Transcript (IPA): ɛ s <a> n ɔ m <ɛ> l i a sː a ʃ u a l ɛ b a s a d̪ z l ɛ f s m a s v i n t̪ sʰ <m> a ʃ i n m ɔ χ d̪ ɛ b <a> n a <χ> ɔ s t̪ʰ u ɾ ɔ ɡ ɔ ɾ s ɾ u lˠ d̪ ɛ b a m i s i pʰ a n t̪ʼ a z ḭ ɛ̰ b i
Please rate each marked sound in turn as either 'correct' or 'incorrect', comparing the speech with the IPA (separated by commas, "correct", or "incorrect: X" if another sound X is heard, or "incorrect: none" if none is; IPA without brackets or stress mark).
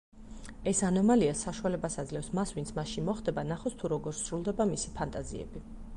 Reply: correct, incorrect: a, correct, correct, correct